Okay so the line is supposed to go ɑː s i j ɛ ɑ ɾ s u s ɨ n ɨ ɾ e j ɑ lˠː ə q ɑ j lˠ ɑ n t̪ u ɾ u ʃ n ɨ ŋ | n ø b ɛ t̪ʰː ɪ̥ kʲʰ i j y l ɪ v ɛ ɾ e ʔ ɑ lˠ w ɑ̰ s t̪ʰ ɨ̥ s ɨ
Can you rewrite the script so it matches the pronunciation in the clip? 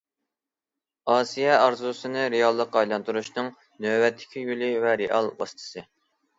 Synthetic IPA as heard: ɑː s i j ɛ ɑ ɾ z u s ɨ n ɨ ɾ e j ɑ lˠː ə q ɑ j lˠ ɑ n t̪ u ɾ u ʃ n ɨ ŋ | n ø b ɛ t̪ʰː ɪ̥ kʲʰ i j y l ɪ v ɛ ɾ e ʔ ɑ lˠ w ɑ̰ s t̪ʰ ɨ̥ s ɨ